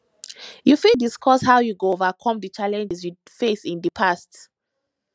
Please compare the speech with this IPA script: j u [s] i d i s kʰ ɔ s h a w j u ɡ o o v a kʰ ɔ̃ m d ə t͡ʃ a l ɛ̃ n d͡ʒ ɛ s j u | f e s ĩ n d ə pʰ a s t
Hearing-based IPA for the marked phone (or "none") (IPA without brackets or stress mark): f